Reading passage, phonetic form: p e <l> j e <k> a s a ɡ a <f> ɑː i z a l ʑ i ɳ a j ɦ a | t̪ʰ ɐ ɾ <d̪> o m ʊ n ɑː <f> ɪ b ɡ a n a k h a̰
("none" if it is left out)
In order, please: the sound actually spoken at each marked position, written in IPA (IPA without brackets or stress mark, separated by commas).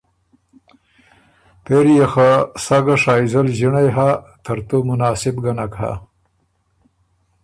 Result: ɾ, x, ʂ, t̪, s